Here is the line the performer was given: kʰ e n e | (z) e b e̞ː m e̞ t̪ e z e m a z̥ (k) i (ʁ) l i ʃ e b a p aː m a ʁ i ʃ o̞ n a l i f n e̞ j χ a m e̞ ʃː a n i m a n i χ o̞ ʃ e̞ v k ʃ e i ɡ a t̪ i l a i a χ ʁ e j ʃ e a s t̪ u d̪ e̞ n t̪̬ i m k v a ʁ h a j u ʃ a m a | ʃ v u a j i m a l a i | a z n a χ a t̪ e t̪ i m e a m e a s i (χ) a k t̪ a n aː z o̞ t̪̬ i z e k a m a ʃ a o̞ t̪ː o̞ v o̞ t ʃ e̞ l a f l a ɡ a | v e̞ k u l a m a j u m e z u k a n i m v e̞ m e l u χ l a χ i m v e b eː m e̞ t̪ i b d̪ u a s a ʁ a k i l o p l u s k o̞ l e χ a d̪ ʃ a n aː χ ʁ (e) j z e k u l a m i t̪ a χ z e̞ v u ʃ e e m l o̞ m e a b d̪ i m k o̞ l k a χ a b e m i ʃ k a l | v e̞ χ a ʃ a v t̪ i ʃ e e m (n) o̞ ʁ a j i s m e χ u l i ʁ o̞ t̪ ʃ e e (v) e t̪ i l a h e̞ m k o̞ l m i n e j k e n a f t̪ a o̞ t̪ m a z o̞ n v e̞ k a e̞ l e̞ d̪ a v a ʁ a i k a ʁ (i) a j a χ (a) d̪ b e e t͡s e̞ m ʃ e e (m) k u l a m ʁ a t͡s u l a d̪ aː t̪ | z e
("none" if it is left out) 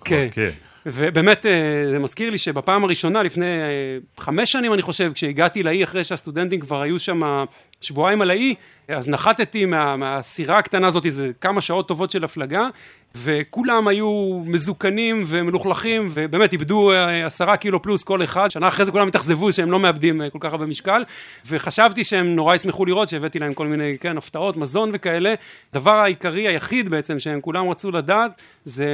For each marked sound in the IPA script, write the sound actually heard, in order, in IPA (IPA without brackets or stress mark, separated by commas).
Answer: v, k, ʁ, ʁ, e, n, v, i, i, m